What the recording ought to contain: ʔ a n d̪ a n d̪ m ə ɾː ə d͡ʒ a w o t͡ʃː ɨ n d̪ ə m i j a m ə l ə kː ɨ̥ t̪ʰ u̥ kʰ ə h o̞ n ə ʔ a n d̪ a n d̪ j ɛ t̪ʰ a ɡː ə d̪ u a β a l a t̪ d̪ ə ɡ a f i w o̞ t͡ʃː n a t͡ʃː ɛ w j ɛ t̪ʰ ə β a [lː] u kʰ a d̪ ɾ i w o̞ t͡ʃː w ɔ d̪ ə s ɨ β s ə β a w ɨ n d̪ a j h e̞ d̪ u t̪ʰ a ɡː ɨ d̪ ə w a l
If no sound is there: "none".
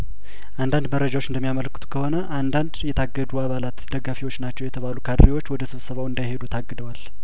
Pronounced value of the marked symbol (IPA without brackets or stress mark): l